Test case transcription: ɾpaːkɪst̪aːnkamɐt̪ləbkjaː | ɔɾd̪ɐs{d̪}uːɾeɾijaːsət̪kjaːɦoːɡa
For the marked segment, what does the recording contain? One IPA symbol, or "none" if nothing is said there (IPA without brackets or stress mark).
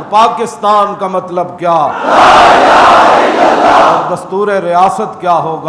t̪